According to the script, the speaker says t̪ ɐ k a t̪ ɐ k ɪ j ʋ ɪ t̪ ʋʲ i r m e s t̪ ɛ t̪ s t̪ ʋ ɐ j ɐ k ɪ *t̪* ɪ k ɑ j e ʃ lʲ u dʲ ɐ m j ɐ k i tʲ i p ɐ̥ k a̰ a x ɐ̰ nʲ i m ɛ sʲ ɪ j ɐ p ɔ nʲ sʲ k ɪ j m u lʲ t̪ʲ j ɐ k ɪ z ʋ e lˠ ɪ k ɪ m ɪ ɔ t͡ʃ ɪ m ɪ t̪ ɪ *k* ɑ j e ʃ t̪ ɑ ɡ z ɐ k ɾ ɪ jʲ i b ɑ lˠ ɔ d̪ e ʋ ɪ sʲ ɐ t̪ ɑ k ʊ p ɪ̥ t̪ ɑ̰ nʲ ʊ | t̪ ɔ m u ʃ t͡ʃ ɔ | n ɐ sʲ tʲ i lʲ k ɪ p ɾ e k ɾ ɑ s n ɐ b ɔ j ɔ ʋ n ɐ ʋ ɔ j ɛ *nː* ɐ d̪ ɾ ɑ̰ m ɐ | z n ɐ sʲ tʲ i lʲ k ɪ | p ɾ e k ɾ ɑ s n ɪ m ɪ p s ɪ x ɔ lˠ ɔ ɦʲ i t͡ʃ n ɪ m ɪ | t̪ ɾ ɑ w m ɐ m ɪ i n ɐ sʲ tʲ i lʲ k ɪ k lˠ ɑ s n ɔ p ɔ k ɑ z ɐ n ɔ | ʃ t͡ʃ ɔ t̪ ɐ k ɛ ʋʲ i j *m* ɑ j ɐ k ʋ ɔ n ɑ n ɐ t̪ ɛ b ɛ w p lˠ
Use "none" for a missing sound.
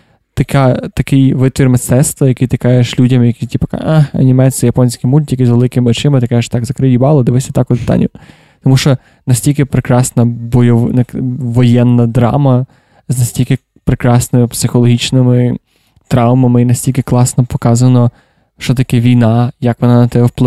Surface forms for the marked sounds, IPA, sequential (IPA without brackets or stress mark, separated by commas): t̪, k, nː, n